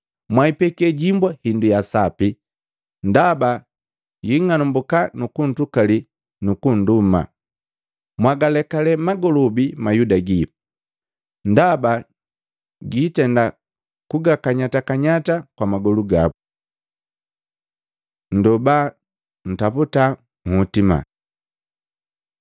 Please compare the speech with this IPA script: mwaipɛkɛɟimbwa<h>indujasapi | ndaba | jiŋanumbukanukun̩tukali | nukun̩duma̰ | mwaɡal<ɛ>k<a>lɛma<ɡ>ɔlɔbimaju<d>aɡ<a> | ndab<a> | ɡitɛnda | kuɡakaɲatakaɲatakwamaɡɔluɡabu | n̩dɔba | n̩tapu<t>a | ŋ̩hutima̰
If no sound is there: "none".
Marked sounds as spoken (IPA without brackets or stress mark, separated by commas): h, ɛ, a, ɡ, d, i, a, t